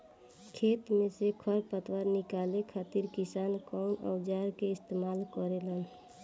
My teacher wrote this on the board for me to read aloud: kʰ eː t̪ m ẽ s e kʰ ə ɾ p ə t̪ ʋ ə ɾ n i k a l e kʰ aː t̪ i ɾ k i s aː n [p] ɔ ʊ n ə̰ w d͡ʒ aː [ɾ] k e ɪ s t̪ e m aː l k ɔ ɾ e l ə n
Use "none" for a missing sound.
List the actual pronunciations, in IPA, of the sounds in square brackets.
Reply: k, ɾ

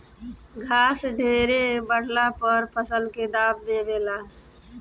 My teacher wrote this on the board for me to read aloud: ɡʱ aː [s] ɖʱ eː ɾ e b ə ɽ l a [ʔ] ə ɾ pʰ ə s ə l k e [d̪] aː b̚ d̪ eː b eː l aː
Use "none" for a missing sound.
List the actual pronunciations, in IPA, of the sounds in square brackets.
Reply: s, p, d̪

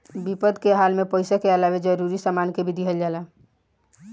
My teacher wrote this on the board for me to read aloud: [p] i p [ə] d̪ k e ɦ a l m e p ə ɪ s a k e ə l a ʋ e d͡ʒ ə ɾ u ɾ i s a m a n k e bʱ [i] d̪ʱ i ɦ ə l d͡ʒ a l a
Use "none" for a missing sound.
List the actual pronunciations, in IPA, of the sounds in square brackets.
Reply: b, ə, i

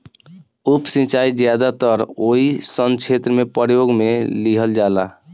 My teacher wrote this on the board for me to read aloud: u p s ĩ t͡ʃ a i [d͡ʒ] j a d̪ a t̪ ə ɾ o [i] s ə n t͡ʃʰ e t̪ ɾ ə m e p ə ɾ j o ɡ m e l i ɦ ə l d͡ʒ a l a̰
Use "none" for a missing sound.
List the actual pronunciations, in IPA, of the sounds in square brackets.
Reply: d͡ʒ, i

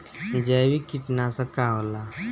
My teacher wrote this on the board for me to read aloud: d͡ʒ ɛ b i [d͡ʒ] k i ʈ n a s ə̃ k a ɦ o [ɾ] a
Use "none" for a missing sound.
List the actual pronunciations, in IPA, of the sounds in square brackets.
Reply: none, l

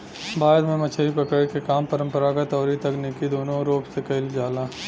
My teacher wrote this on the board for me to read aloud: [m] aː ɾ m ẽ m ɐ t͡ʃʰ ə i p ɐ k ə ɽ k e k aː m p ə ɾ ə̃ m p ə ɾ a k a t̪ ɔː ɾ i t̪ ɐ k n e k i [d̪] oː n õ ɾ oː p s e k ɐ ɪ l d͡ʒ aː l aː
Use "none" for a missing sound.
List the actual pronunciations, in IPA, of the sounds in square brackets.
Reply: b, d̪

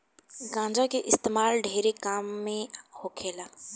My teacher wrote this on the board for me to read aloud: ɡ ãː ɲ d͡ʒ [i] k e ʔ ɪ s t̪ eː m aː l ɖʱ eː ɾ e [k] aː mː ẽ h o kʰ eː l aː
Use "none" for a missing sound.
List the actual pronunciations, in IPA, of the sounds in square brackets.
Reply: a, k

